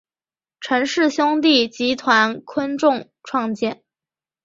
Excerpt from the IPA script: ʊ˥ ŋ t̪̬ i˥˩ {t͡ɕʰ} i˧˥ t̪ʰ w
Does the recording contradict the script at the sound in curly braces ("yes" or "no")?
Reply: yes